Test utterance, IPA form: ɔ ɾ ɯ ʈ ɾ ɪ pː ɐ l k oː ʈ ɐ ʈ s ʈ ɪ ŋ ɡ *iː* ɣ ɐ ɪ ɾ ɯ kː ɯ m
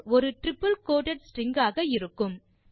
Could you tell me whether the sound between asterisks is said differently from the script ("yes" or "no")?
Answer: yes